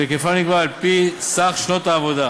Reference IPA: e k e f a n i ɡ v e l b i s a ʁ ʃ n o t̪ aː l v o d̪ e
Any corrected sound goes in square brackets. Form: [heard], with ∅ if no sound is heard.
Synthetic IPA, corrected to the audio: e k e f a n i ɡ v [a] l [p] i s a [χ] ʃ n o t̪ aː [∅] v o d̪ [a]